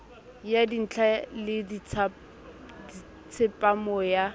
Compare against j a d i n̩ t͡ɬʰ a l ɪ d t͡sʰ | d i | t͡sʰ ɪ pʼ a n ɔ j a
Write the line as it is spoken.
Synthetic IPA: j a d i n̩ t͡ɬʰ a l ɪ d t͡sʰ | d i | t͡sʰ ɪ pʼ a m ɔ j a